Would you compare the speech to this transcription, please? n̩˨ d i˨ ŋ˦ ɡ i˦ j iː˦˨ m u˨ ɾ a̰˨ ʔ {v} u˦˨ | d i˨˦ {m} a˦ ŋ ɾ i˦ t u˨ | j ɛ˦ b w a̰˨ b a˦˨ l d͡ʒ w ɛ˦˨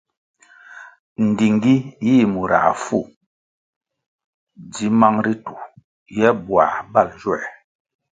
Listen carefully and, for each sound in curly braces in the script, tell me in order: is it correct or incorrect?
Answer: incorrect: f, correct

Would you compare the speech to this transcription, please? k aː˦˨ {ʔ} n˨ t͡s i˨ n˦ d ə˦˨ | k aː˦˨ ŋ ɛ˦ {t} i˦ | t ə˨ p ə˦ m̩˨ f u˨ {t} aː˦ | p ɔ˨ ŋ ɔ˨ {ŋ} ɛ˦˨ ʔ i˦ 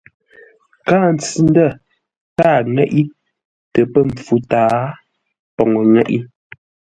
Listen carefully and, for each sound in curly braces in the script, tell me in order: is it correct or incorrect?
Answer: incorrect: none, incorrect: ʔ, correct, correct

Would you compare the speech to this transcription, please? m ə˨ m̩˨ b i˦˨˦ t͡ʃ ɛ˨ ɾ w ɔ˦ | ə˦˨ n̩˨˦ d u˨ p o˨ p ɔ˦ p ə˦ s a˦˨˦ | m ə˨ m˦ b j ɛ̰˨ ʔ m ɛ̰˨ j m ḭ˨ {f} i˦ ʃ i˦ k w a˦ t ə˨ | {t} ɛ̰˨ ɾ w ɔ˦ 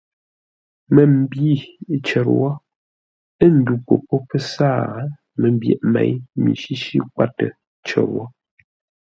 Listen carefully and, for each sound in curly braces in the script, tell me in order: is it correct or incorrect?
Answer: incorrect: ʃ, incorrect: t͡ʃ

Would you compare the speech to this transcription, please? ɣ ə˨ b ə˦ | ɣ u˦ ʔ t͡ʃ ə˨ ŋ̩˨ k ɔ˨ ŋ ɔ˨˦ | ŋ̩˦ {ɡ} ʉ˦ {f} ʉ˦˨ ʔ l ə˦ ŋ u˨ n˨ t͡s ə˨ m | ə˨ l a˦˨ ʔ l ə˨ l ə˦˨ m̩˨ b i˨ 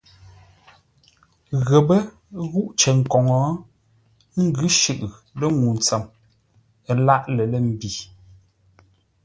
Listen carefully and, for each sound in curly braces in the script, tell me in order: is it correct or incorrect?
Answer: correct, incorrect: ʃ

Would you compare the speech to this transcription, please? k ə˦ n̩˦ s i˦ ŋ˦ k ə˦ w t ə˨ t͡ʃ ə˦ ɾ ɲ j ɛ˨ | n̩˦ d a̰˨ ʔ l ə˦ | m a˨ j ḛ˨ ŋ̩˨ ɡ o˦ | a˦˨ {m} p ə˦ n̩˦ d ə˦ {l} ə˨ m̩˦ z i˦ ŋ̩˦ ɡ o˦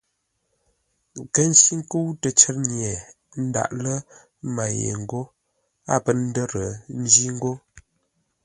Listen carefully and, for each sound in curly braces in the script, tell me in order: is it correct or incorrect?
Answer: incorrect: none, incorrect: ɾ

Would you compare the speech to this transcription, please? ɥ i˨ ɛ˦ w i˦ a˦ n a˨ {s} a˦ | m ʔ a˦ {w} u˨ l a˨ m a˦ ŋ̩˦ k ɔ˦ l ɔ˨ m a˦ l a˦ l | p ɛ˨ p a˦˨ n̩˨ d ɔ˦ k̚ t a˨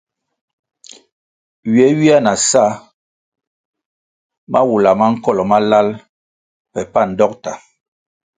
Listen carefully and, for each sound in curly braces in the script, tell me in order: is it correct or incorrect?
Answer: correct, correct

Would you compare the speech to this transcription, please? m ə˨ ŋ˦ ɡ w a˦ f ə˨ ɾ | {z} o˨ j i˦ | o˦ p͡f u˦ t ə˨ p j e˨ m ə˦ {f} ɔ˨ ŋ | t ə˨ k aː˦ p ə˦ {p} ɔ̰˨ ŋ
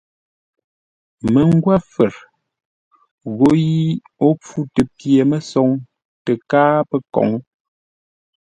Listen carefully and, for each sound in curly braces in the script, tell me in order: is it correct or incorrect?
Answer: incorrect: ɣ, incorrect: s, incorrect: k

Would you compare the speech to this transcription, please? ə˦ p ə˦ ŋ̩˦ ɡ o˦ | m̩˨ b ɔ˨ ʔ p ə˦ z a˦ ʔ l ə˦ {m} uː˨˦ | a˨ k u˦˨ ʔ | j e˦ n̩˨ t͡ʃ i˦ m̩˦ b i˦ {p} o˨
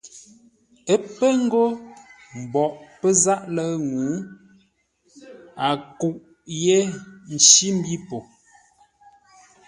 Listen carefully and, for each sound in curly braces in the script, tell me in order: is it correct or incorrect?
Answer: incorrect: ŋ, correct

